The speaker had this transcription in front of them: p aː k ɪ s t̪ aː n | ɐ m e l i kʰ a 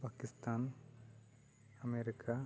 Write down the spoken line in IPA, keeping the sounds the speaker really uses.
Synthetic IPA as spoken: p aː k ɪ s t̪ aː n | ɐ m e ɾ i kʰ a